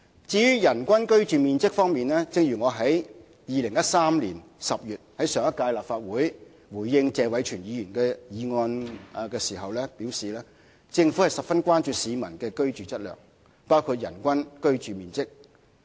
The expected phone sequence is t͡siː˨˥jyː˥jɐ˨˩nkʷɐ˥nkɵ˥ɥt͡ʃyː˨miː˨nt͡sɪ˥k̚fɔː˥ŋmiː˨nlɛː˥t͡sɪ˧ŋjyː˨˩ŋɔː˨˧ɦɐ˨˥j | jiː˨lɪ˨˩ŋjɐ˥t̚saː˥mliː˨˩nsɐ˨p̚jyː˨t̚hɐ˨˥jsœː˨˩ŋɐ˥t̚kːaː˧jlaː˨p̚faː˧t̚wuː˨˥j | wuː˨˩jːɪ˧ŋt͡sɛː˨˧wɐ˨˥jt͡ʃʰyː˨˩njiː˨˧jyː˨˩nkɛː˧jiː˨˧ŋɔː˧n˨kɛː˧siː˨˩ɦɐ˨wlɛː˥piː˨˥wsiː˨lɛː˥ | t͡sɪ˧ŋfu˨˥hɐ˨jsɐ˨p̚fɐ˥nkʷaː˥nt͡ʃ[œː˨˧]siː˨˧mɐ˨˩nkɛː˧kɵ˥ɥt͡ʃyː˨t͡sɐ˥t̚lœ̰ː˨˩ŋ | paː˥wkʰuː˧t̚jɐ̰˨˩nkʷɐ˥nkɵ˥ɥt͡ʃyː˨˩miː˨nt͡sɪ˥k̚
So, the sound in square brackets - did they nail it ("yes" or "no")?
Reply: no